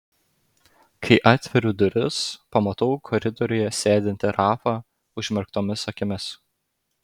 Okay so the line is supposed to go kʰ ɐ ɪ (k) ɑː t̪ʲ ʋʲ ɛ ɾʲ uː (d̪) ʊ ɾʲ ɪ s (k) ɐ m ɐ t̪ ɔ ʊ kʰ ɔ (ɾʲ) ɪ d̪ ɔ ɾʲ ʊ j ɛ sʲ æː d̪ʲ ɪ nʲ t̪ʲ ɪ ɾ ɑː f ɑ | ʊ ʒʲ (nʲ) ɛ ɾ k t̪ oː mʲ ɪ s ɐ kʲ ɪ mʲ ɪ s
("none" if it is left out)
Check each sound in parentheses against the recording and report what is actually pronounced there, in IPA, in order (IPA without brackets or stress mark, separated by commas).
ʔ, d̪, p, ɾʲ, mʲ